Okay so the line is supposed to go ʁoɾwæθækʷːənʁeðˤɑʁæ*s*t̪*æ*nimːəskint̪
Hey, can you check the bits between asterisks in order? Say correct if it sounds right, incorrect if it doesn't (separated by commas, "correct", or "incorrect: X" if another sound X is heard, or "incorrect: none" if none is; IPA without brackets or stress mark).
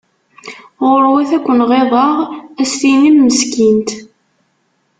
correct, incorrect: i